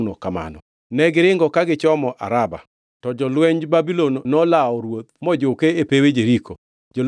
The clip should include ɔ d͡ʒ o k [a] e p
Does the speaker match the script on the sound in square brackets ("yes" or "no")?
no